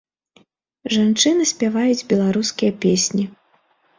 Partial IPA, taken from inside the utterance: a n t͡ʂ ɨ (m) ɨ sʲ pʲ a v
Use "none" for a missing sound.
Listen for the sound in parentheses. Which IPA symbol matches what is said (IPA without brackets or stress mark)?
n